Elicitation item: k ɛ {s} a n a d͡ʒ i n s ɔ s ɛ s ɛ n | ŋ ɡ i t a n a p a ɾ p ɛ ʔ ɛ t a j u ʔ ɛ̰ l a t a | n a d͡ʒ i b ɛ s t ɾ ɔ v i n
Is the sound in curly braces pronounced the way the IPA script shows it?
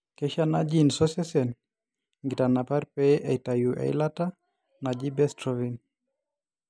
no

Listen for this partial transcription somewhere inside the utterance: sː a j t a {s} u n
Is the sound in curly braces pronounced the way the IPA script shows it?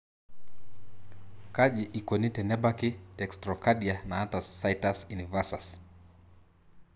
yes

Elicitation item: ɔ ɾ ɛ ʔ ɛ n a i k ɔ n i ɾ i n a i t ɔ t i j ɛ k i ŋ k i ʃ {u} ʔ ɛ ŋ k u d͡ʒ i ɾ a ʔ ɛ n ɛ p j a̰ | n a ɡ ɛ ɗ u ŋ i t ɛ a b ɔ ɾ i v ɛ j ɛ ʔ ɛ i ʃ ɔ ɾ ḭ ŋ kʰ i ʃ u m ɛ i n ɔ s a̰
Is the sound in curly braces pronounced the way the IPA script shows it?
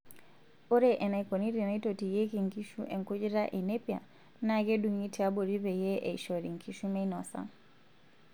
yes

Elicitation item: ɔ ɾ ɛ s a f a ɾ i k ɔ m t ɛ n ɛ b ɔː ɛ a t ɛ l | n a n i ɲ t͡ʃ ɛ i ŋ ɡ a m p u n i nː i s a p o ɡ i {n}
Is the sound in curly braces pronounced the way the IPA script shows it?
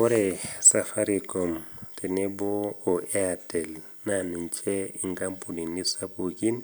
yes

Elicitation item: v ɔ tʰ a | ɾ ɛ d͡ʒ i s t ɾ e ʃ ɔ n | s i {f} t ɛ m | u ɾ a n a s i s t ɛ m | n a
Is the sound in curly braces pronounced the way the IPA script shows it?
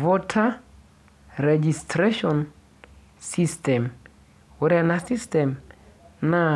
no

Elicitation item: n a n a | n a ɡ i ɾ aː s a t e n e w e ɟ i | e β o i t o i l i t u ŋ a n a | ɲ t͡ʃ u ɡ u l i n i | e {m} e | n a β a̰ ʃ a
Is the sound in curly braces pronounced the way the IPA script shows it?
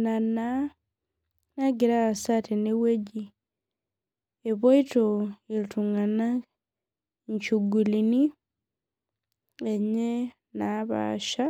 no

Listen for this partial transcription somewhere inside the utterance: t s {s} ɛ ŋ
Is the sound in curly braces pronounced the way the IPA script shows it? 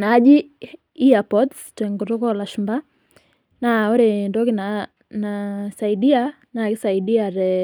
no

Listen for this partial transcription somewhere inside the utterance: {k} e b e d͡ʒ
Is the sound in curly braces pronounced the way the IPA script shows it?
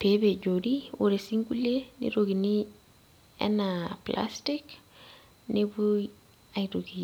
no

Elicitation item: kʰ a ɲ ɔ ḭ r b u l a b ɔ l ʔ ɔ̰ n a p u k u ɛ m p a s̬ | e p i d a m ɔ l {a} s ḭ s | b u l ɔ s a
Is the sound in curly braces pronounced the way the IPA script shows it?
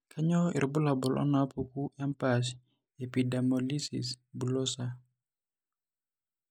no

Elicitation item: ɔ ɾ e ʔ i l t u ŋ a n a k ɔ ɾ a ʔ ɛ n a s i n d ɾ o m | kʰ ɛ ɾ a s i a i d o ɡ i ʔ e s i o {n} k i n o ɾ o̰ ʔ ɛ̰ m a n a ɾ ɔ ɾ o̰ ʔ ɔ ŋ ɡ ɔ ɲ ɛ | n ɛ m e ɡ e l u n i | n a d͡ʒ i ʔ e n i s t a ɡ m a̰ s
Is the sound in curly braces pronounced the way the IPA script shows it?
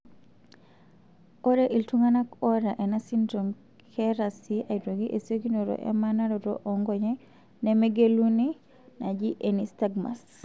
no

